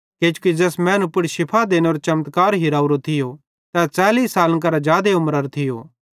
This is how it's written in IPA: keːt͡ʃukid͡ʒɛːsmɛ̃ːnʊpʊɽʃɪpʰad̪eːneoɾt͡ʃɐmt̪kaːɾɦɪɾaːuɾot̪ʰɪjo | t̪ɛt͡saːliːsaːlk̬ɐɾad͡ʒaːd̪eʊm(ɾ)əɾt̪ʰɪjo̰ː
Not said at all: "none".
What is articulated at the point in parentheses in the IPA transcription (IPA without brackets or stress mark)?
ɾ